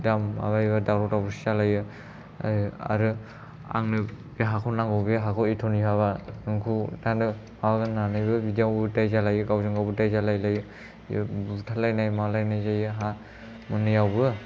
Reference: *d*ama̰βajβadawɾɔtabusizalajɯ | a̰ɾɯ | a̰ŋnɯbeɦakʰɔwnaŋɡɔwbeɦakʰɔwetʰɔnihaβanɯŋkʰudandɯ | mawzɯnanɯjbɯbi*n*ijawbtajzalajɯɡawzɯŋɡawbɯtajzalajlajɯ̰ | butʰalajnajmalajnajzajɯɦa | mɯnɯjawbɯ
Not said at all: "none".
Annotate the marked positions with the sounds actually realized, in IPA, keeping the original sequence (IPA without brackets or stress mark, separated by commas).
d, d